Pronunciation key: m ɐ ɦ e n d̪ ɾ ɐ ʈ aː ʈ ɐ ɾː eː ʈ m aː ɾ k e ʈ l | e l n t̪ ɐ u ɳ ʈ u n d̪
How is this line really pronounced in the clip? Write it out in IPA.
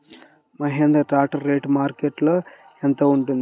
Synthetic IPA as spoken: m ɐ ɦ e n d̪ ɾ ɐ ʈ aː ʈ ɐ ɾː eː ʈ m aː ɾ k e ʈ l | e n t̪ ɐ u ɳ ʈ u n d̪

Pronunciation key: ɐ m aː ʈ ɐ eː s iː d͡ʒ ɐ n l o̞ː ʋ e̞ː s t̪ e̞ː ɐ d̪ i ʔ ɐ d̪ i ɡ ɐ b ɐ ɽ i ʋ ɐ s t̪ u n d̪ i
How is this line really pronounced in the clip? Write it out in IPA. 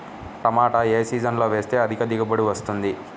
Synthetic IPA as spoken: ɐ m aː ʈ ɐ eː s iː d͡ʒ ɐ n l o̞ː ʋ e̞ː s t̪ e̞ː ɐ d̪ i k ɐ d̪ i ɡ ɐ b ɐ ɽ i ʋ ɐ s t̪ u n d̪ i

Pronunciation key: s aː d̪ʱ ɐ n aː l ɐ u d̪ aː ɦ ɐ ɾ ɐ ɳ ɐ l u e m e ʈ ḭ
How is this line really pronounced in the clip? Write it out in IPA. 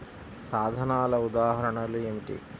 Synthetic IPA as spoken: s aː d̪ʱ ɐ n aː l ɐ u d̪ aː ɦ ɐ ɾ ɐ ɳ ɐ l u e m i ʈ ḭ

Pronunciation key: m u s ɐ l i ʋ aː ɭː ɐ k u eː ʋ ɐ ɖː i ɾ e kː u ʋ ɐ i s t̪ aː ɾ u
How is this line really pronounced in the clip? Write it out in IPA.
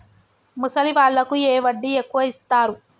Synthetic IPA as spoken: m u s ɐ l i ʋ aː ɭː ɐ k u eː ʋ ɐ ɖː i e kː u ʋ ɐ i s t̪ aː ɾ u

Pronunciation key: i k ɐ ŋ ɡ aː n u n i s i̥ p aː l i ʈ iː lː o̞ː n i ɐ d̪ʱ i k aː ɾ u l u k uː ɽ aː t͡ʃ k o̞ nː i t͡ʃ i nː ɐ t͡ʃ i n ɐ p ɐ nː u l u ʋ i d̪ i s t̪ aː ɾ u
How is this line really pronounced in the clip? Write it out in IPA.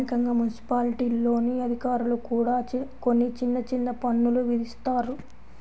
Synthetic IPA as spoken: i k ɐ ŋ ɡ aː m u n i s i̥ p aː l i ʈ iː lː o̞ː n i ɐ d̪ʱ i k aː ɾ u l u k uː ɽ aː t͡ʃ k o̞ nː i t͡ʃ i nː ɐ t͡ʃ i nː ɐ p ɐ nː u l u ʋ i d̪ i s t̪ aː ɾ u

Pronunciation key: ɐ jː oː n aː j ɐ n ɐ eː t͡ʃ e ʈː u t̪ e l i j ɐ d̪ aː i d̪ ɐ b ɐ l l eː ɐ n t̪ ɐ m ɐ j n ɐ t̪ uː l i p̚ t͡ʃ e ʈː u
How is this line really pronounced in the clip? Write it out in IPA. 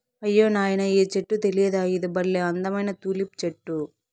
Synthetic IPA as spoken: ɐ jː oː n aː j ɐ n ɐ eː t͡ʃ e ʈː u t̪ e l i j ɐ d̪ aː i d̪ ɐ b ɐ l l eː ɐ n d̪ ɐ m ɐ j n ɐ t̪ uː l i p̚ t͡ʃ e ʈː u

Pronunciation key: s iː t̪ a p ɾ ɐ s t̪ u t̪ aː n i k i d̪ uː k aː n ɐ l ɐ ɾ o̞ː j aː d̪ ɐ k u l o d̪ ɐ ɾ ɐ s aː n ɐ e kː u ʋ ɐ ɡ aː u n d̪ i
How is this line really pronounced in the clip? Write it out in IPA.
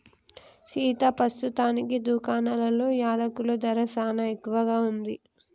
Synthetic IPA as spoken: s iː t̪ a p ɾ ɐ s t̪ u t̪ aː n i k i d̪ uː k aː n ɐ l ɐ l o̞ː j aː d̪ ɐ k u l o d̪ ɐ ɾ ɐ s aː n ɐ e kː u ʋ ɐ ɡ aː u n d̪ i

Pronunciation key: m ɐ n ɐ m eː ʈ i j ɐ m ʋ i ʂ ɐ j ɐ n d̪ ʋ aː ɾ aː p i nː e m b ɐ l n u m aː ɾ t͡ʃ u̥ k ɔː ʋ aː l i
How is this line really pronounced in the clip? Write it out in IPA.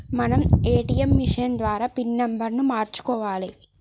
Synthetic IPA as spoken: m ɐ n ɐ m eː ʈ i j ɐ m ʋ i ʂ ɐ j ɐ n d̪ ʋ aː ɾ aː p i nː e m b ɐ ɾ n u m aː ɾ t͡ʃ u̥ k ɔː ʋ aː l i

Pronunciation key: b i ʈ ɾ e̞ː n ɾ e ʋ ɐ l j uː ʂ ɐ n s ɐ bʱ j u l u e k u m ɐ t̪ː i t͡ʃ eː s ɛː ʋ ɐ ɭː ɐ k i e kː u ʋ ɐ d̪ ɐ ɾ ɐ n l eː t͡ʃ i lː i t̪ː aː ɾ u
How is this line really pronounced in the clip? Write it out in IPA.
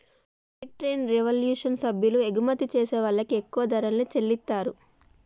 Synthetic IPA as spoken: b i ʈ ɾ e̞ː n ɾ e ʋ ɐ l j uː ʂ ɐ n s ɐ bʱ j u l u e ɡ u m ɐ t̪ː i t͡ʃ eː s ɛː ʋ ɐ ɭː ɐ k i e kː u ʋ ɐ d̪ ɐ ɾ ɐ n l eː t͡ʃ e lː i t̪ː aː ɾ u

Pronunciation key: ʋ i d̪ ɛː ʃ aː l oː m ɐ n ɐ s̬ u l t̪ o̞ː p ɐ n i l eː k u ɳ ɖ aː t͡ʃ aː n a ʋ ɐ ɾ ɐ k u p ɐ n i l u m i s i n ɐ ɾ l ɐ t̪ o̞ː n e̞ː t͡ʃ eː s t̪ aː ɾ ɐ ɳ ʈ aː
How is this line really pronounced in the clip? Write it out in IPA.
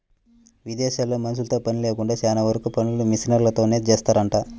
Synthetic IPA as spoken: ʋ i d̪ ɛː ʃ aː l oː m ɐ n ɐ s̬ u l t̪ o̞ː p ɐ n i l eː k u ɳ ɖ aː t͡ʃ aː n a ʋ ɐ ɾ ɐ k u p ɐ n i l u m i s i n ɐ ɾ l ɐ t̪ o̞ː n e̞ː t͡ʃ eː s t̪ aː ɾ ɐ ɳ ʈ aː

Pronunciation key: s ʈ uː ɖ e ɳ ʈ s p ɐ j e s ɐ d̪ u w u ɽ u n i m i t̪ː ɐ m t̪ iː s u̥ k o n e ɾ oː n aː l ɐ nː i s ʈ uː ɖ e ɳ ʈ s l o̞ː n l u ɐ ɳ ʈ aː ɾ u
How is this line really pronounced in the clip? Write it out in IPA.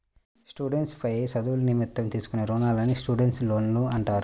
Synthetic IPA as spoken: s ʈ uː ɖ e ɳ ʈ s p ɐ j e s ɐ d̪ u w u l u n i m i t̪ː ɐ m t̪ iː s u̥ k u n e ɾ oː n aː l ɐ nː i s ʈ uː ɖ e ɳ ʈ s l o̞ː n l u ɐ ɳ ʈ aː ɾ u

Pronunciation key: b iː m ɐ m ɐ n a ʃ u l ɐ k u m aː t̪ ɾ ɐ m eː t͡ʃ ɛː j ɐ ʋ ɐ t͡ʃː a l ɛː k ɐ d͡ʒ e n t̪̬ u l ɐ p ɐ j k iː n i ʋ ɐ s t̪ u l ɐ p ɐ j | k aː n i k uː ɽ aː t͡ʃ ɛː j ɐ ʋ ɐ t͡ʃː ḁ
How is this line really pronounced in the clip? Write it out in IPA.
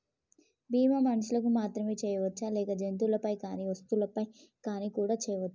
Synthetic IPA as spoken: b iː m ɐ m ɐ n ɐ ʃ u l ɐ k u m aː t̪ ɾ ɐ m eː t͡ʃ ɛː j ɐ ʋ ɐ t͡ʃː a l ɛː k ɐ d͡ʒ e n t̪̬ u l ɐ p ɐ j k aː n i ʋ ɐ s t̪ u l ɐ p ɐ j | k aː n i k uː ɽ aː t͡ʃ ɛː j ɐ ʋ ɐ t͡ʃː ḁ

